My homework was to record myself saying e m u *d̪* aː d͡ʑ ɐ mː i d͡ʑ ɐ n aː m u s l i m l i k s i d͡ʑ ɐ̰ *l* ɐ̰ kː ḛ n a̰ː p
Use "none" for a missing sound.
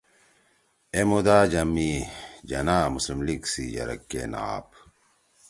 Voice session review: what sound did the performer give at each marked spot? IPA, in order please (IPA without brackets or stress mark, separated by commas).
d̪, ɾ